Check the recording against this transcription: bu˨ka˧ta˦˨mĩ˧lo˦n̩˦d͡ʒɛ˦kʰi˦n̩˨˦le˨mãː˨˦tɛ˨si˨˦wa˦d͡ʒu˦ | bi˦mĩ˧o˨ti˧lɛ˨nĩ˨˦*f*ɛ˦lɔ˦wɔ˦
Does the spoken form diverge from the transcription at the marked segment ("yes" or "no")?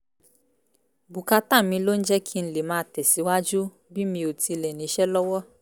yes